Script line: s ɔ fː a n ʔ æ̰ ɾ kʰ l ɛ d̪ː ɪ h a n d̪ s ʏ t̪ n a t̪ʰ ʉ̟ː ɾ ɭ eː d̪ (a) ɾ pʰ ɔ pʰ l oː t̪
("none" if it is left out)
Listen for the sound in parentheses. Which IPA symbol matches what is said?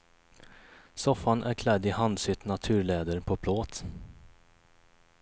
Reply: ə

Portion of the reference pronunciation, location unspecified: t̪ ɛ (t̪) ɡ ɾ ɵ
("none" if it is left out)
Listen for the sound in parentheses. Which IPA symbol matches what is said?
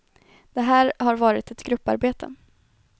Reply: t̪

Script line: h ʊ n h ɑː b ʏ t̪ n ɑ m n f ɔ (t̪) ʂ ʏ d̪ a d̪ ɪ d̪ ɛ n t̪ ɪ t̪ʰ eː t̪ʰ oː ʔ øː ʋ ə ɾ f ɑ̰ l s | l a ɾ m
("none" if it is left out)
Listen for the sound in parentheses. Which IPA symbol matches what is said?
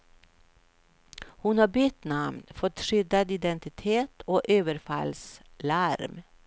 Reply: t̪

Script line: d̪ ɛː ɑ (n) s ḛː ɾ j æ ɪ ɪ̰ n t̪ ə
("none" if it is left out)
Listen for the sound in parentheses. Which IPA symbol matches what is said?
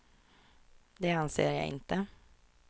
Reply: n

